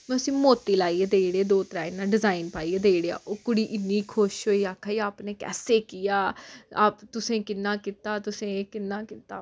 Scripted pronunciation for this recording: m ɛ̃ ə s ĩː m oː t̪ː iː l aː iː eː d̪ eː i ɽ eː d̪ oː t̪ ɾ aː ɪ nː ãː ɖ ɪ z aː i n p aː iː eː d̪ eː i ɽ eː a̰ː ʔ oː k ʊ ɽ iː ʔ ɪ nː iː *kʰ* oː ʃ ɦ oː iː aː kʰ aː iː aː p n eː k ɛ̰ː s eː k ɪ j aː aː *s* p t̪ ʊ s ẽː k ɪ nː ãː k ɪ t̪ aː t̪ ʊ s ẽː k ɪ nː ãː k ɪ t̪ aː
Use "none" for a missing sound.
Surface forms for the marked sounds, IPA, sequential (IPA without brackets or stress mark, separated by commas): kʰ, none